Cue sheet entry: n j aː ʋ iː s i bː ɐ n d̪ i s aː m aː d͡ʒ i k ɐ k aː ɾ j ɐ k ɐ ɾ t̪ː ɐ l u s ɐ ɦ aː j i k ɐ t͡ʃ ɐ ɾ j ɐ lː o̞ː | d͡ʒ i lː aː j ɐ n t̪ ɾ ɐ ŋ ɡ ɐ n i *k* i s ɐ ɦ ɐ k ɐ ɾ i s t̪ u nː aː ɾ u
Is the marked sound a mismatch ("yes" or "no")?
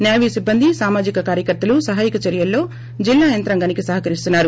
no